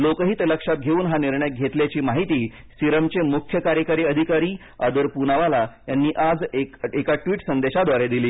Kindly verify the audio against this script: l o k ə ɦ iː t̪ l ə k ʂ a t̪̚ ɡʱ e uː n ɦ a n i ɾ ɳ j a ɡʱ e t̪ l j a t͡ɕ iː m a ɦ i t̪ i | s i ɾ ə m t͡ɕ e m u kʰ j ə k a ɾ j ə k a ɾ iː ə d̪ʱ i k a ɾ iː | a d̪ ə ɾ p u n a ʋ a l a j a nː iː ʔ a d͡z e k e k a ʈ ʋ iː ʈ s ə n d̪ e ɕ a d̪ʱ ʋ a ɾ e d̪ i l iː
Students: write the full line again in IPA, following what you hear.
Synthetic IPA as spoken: l o k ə ɦ iː t̪ l ə k ʂ a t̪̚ ɡʱ e uː n ɦ a n i ɾ ɳ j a ɡʱ e t̪ l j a t͡ɕ iː m a ɦ i t̪ iː | s i ɾ ə m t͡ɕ e m u kʰ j ə k a ɾ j ə k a ɾ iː ə d̪ʱ i k a ɾ iː | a d̪ ə ɾ p u n a ʋ a l a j a nː iː ʔ a d͡z e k e k a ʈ ʋ iː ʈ s ə n d̪ e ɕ a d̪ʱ ʋ a ɾ e d̪ i l iː